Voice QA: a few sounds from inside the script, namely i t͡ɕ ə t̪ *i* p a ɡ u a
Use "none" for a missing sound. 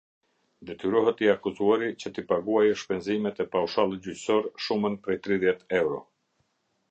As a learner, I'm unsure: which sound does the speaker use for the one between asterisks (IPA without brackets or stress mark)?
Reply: i